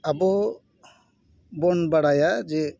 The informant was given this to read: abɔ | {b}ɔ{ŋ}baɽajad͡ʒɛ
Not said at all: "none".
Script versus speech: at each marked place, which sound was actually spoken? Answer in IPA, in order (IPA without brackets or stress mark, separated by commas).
b, n